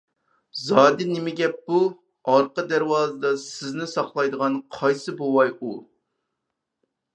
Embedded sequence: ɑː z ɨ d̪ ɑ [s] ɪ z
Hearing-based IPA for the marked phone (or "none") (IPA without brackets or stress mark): s